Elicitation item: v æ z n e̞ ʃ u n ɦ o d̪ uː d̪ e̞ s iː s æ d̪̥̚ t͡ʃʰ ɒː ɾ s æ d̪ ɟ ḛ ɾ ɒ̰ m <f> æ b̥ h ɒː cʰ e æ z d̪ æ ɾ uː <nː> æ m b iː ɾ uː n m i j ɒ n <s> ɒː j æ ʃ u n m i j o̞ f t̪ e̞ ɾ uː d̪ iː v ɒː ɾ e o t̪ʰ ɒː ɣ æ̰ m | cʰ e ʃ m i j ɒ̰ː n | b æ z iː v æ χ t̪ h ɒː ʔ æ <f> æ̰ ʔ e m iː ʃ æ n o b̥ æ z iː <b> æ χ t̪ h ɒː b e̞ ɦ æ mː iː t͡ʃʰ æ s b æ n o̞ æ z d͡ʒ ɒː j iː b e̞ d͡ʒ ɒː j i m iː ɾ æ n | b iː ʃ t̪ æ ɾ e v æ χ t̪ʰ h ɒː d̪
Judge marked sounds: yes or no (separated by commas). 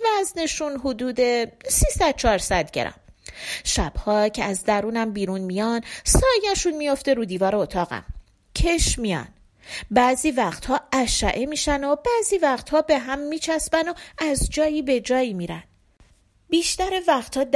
no, no, yes, no, no